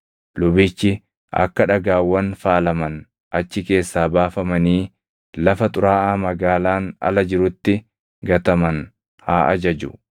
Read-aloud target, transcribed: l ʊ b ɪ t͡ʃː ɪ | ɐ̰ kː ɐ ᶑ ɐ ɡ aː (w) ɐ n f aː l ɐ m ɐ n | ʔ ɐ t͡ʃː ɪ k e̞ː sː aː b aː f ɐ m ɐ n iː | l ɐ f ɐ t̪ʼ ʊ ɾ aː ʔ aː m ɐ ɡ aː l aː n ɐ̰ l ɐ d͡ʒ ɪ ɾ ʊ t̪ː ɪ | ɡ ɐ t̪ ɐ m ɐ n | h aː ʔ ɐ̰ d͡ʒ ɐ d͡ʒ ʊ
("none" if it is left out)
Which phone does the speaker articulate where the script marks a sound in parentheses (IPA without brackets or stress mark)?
wː